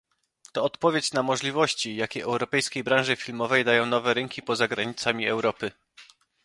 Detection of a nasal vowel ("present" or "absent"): present